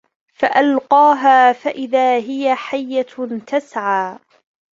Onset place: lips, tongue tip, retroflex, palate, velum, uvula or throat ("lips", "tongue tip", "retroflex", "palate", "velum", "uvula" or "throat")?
lips